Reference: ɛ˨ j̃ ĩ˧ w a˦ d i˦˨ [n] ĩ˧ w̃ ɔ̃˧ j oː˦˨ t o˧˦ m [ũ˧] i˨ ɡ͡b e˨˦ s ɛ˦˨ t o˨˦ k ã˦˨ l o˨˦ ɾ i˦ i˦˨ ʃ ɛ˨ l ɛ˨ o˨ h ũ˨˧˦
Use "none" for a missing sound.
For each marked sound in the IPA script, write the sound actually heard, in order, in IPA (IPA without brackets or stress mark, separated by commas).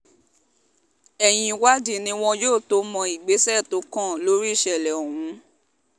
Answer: n, ɔ̃˧